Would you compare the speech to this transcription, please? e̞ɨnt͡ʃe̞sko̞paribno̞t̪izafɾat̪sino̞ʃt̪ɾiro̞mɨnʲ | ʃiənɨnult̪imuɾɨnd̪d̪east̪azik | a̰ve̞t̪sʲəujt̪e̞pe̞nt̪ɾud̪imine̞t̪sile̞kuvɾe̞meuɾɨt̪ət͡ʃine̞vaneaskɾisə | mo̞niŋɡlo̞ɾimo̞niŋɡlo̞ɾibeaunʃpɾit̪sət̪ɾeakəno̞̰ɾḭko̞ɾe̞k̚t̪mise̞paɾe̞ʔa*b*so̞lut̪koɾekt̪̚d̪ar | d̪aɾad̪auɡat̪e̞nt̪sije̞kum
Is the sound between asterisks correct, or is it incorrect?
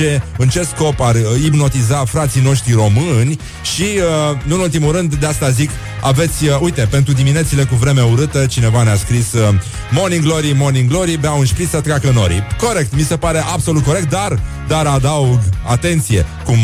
correct